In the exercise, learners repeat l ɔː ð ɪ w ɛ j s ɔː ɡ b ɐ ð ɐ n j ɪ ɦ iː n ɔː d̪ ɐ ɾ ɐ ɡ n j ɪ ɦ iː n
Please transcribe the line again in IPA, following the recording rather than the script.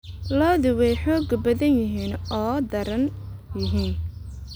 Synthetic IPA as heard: l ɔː ð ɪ w ɛ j ħ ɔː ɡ b ɐ ð ɐ n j ɪ ɦ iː n ɔː d̪ ɐ ɾ ɐ n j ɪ ɦ iː n